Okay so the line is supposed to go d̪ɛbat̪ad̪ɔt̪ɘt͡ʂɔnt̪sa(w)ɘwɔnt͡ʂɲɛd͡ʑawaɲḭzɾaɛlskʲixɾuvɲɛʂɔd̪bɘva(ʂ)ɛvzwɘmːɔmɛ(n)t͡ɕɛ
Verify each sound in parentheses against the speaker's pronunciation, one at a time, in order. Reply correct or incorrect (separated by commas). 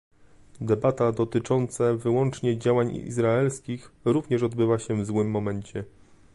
incorrect, incorrect, incorrect